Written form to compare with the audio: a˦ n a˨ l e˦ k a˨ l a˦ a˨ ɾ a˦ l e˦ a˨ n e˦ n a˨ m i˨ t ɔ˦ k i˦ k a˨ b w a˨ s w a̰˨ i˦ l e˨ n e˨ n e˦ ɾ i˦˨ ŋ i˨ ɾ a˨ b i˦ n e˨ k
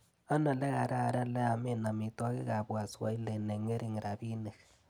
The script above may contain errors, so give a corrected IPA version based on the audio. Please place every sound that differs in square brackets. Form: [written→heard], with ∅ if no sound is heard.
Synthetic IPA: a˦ n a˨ l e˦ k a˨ [l→ɾ] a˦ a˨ ɾ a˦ l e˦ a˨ [n→m] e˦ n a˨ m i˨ t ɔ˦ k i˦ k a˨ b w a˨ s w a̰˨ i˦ l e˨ n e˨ [n→ŋ] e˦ ɾ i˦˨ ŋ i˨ ɾ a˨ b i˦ n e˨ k